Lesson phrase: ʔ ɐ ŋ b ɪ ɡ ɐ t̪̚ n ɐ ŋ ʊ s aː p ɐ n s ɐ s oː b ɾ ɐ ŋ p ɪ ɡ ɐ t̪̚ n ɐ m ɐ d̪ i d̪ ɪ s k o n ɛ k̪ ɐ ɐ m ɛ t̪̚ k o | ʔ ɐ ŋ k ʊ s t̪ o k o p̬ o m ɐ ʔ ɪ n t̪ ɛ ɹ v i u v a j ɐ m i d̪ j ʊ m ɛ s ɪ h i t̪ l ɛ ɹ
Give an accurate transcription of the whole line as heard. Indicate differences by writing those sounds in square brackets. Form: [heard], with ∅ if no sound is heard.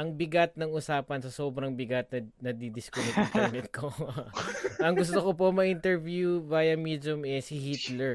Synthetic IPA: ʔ ɐ ŋ b ɪ ɡ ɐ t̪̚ n ɐ ŋ ʊ s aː p ɐ n s ɐ s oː b ɾ ɐ ŋ [b] ɪ ɡ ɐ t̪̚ n ɐ [n] ɐ d̪ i d̪ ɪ s k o n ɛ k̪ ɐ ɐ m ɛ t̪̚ k o | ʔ ɐ ŋ [ɡ] ʊ s t̪ o k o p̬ o m ɐ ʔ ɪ n t̪ ɛ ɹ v [j] u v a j ɐ m i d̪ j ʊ m ɛ s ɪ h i t̪ l ɛ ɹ